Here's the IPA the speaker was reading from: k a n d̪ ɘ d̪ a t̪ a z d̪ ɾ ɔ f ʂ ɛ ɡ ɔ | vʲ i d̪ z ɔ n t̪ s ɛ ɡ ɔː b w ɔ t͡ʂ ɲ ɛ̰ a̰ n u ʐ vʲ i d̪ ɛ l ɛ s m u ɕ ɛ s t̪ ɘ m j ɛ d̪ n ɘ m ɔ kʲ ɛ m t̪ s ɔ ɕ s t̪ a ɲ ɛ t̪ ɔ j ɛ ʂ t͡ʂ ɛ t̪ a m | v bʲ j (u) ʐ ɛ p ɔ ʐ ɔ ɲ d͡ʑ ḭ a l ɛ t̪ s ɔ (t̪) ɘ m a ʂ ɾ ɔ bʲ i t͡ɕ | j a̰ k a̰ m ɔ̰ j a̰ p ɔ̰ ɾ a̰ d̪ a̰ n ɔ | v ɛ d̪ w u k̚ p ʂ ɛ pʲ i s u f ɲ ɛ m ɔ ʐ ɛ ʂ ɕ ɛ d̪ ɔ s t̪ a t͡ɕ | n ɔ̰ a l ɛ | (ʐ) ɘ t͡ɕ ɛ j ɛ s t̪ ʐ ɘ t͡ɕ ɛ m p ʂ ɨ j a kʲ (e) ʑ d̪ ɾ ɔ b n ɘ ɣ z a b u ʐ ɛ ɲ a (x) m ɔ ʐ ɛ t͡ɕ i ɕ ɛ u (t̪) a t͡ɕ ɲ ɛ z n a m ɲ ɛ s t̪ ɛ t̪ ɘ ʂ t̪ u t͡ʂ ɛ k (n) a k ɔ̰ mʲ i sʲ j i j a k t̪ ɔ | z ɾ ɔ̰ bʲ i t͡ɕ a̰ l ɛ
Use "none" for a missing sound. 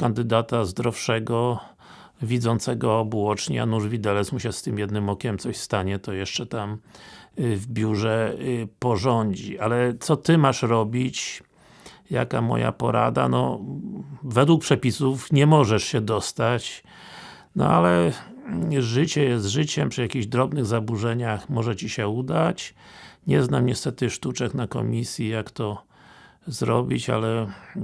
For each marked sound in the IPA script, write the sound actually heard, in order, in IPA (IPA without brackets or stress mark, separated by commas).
u, t̪, ʐ, i, x, d̪, n